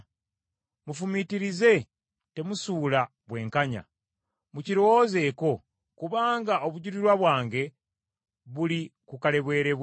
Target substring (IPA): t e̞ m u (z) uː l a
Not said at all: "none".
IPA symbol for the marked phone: s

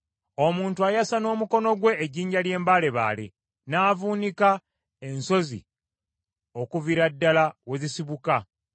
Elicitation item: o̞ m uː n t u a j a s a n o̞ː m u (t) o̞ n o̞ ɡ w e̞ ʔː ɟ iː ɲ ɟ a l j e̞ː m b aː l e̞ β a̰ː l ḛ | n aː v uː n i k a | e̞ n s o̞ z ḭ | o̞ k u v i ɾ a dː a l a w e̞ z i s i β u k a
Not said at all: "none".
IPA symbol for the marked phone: k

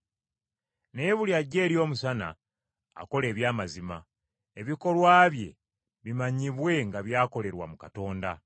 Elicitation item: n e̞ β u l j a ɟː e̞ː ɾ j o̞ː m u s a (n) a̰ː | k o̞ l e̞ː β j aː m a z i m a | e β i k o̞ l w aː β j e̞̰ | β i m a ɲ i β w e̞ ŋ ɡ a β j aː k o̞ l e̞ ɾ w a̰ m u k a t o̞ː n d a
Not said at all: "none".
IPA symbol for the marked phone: n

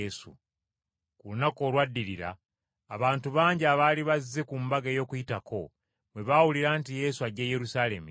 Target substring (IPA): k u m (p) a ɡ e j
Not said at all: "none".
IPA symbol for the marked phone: b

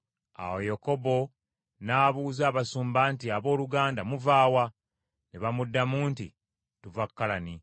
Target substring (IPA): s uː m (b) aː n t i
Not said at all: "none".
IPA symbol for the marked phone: b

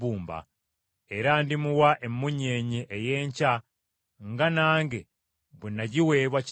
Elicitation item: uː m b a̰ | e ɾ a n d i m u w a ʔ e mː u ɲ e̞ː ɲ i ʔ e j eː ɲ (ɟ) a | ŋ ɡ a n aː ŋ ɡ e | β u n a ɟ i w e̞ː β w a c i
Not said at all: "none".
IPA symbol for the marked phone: c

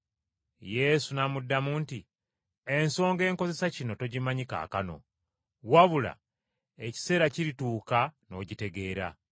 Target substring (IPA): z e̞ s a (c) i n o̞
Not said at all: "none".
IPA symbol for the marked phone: c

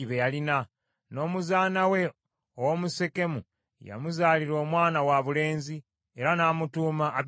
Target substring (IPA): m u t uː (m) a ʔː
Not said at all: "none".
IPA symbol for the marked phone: m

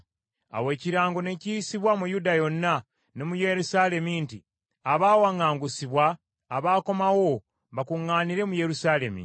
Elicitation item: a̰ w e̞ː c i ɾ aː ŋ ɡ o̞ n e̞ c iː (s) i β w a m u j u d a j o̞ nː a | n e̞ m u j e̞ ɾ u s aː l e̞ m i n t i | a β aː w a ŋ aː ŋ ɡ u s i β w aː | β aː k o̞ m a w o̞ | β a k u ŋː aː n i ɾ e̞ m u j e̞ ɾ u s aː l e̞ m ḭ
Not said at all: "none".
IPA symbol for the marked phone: s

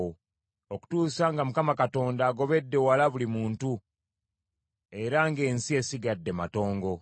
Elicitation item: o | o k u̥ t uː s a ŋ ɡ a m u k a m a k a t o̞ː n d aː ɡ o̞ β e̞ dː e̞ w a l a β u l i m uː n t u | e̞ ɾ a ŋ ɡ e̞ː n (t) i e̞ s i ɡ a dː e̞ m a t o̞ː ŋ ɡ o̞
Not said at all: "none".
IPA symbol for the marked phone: s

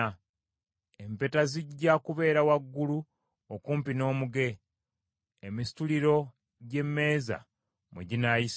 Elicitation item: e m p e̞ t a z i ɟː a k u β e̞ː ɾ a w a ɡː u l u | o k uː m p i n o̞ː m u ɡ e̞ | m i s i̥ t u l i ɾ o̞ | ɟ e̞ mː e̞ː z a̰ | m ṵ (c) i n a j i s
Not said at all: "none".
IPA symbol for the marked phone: ɟ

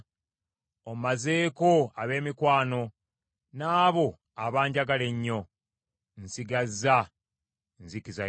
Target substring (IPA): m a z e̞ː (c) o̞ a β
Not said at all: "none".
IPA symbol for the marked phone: k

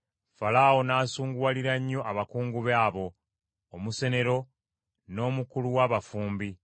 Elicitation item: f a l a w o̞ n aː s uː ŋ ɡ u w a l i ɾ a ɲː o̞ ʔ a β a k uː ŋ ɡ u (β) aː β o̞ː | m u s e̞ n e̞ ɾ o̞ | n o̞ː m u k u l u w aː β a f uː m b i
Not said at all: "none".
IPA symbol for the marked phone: β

